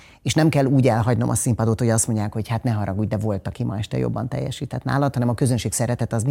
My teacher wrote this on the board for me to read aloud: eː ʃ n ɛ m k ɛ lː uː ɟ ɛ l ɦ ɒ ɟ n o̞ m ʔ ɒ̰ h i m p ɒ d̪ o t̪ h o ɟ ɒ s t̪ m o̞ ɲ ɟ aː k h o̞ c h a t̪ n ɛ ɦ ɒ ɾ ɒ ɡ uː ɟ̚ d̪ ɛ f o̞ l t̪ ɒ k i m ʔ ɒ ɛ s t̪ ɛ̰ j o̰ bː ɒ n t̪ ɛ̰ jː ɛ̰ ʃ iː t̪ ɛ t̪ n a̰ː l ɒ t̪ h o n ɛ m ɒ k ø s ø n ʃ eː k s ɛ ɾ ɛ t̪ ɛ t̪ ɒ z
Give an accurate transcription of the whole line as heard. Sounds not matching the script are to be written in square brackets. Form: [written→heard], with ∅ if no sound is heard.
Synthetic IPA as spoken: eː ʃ n ɛ m k ɛ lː uː ɟ ɛ l ɦ ɒ ɟ n o̞ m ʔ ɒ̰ [h→s] i m p ɒ d̪ o t̪ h o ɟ ɒ s t̪ m o̞ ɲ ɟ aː k h o̞ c h a t̪ n ɛ ɦ ɒ ɾ ɒ ɡ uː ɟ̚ d̪ ɛ [f→v] o̞ l t̪ ɒ k i m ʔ ɒ ɛ [s→ʃ] t̪ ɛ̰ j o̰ bː ɒ n t̪ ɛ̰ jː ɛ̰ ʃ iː t̪ ɛ t̪ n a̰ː l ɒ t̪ h [o→ɒ] n ɛ m ɒ k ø [s→z] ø n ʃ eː k s ɛ ɾ ɛ t̪ ɛ t̪ ɒ z